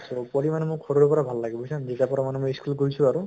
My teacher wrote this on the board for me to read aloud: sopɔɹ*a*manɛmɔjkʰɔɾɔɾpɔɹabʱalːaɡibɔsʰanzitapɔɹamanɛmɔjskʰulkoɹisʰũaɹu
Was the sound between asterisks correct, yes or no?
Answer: no